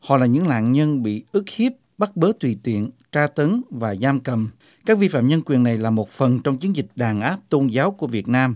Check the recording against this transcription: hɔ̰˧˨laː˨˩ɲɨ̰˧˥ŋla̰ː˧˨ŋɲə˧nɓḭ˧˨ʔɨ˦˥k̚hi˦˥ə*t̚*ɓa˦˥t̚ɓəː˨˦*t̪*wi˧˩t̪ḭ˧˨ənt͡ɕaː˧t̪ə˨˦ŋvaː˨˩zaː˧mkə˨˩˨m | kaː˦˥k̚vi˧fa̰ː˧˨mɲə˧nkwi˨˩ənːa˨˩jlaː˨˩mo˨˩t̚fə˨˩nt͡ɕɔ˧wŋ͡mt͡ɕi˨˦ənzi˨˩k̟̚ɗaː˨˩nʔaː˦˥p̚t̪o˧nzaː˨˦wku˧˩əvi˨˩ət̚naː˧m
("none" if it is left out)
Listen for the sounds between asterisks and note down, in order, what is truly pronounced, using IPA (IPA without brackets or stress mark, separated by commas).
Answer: p̚, t̪